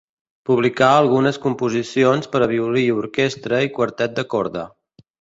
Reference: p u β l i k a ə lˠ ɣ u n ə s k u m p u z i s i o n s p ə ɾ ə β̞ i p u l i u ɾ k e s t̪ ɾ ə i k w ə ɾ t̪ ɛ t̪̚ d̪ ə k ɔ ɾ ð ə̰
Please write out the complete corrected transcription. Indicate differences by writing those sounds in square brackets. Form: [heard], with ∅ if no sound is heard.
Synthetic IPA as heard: p u β l i k a ə lˠ ɣ u n ə s k u m p u z i s i o n s p ə ɾ ə β̞ i [∅] u l i u ɾ k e s t̪ ɾ ə i k w ə ɾ t̪ ɛ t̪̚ d̪ ə k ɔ ɾ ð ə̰